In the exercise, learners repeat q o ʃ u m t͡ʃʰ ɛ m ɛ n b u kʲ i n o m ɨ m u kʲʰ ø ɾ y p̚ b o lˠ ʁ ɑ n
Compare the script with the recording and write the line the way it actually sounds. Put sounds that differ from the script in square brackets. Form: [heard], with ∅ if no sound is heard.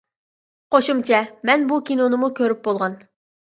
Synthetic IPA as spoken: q o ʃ u m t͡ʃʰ ɛ m ɛ n b u kʲ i n o [n] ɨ m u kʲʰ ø ɾ y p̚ b o lˠ ʁ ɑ n